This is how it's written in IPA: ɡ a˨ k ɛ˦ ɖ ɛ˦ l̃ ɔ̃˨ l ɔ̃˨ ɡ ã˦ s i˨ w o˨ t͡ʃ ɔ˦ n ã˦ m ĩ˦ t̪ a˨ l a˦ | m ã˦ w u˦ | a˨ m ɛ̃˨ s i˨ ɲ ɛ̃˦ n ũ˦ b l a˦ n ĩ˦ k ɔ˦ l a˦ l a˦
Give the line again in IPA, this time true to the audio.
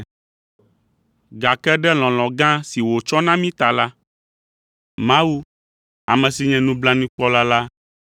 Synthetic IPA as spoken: ɡ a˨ k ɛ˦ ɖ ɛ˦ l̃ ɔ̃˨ l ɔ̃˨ ɡ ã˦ s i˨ w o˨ t͡ʃ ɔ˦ n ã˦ m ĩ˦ t̪ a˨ l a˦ | m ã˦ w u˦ | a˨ m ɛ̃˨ s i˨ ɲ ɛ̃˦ n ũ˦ b l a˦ n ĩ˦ k͡p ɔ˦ l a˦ l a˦

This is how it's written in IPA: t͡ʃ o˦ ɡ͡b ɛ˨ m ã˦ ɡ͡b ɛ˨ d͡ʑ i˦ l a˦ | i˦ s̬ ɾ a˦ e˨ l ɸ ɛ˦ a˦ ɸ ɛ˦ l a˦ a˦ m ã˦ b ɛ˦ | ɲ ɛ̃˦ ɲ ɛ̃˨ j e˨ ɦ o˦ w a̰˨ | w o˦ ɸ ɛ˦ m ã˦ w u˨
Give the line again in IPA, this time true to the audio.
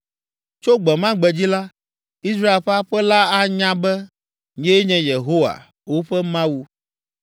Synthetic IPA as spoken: t͡ʃ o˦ ɡ͡b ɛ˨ m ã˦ ɡ͡b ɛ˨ d͡ʑ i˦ l a˦ | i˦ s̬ ɾ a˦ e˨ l ɸ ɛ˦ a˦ ɸ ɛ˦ l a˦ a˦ ɲ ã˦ b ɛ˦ | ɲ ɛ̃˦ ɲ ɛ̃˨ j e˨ ɦ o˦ w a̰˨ | w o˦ ɸ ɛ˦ m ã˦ w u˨

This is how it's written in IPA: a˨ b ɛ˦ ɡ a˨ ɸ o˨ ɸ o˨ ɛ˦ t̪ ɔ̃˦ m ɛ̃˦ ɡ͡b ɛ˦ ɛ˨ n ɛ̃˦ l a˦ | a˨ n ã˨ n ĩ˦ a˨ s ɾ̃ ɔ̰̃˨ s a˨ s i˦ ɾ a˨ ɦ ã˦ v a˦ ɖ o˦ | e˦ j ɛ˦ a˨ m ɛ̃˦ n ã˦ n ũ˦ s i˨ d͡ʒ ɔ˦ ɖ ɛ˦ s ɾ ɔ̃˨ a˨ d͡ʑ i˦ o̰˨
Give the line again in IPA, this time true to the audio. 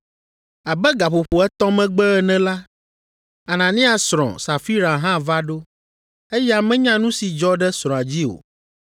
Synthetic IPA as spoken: a˨ b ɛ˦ ɡ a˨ ɸ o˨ ɸ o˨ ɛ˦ t̪ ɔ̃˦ m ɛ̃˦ ɡ͡b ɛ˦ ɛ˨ n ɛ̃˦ l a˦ | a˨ n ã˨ n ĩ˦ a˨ s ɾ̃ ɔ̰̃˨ s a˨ f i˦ ɾ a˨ ɦ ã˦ v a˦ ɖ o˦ | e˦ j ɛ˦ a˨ m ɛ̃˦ ɲ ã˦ n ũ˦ s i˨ d͡ʒ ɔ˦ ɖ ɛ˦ s ɾ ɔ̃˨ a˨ d͡ʑ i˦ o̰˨

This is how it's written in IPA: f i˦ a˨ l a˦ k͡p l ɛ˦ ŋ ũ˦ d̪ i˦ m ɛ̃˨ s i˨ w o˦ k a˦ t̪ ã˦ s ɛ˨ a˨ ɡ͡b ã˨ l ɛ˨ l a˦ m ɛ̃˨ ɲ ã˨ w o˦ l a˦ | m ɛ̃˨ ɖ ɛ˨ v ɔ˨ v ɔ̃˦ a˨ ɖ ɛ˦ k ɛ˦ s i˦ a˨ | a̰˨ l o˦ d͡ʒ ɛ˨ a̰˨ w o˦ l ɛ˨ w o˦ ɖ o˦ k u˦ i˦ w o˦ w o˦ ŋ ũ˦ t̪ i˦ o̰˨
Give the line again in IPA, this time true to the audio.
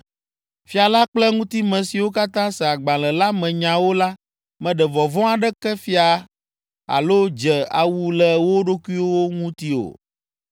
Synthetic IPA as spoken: f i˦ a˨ l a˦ k͡p l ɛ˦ ŋ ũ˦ t̪ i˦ m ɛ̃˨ s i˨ w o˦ k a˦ t̪ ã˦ s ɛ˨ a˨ ɡ͡b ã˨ l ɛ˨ l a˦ m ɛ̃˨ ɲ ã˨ w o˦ l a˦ | m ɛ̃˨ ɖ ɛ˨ v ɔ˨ v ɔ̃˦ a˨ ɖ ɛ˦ k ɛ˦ f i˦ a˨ | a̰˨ l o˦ d͡ʒ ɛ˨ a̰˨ w u˦ l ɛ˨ w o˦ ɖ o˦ k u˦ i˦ w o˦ w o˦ ŋ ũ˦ t̪ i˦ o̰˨

